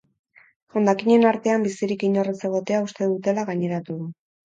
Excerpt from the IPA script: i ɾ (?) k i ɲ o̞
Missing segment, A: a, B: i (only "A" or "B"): B